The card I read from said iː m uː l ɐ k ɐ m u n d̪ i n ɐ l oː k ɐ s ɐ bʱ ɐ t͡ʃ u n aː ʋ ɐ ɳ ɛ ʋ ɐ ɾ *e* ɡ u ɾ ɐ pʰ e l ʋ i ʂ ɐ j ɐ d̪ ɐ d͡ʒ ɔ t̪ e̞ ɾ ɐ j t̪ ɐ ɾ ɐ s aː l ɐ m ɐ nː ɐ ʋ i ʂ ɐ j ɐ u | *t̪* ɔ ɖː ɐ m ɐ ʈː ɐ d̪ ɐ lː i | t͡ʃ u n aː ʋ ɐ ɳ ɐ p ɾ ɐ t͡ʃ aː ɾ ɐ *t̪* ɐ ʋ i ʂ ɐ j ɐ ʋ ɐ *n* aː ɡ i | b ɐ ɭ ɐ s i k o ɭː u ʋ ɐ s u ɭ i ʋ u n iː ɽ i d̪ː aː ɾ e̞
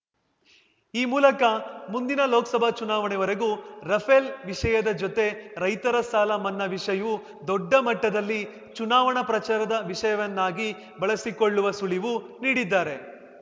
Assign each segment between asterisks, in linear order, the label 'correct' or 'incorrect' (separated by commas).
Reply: correct, incorrect, incorrect, incorrect